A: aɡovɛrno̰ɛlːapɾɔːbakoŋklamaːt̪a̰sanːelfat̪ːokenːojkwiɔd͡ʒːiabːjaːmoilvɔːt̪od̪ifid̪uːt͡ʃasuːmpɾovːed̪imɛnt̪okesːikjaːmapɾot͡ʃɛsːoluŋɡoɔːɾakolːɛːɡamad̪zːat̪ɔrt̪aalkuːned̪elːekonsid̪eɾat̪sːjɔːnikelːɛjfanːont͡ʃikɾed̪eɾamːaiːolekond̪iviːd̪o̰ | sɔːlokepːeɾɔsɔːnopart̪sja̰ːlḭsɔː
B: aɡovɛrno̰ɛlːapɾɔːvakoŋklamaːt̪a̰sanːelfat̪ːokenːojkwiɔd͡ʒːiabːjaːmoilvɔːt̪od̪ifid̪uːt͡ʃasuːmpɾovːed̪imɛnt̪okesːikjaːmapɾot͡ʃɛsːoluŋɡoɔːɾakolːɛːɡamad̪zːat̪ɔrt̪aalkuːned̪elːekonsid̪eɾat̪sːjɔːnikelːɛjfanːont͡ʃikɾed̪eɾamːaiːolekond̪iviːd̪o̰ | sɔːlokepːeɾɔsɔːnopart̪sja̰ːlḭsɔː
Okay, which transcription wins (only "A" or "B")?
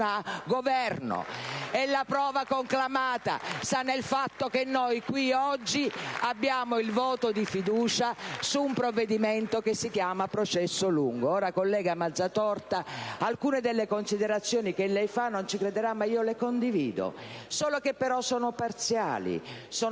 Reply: B